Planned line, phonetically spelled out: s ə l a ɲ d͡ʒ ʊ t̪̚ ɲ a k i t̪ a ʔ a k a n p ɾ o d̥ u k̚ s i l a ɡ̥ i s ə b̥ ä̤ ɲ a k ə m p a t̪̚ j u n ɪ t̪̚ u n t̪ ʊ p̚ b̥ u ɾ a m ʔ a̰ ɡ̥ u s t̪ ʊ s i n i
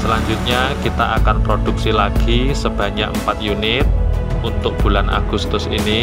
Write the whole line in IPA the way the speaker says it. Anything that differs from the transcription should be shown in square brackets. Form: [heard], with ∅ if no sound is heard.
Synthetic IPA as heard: s ə l a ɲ d͡ʒ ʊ t̪̚ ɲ a k i t̪ a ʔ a k a n p ɾ o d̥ u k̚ s i l a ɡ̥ i s ə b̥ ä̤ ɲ a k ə m p a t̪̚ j u n ɪ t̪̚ u n t̪ ʊ [k̚] b̥ u [l] a [n] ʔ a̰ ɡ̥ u s t̪ ʊ s i n i